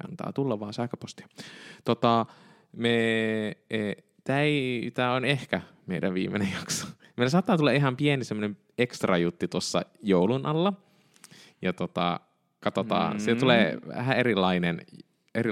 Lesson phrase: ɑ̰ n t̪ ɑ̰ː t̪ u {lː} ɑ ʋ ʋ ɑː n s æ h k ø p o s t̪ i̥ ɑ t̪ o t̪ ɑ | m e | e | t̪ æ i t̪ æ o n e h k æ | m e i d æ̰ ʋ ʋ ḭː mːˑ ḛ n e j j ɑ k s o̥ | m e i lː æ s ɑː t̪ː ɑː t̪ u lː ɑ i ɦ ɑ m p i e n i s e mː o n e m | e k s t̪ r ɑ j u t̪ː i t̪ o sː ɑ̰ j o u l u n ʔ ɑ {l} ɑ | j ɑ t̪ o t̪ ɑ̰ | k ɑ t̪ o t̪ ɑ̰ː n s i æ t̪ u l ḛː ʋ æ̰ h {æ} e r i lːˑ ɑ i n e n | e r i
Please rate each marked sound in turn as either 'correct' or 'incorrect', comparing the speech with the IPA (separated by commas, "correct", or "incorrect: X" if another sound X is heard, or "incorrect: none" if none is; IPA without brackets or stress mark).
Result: correct, incorrect: lː, correct